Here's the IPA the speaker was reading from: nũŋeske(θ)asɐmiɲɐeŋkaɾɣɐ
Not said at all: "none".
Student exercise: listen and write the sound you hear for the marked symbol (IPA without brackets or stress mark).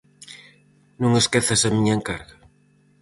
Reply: θ